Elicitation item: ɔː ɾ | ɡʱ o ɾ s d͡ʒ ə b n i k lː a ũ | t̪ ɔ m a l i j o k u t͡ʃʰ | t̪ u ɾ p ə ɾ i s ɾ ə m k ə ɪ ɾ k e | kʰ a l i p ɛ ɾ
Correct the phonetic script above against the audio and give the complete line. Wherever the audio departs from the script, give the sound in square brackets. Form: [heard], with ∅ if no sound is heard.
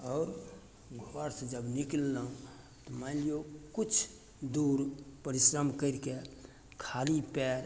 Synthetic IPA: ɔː ɾ | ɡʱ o ɾ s d͡ʒ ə b n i k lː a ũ | t̪ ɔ m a l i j o k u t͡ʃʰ | [d̪] u ɾ p ə ɾ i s ɾ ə m k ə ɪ ɾ k e | kʰ a l i p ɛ ɾ